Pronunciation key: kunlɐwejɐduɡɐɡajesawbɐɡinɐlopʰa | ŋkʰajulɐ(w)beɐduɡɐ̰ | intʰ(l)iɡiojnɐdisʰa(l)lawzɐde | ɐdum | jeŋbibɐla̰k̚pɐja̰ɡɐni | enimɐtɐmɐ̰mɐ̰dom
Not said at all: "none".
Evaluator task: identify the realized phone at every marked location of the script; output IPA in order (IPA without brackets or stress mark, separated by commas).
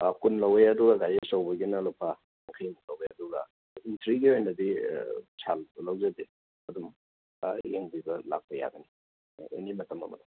w, ɾ, l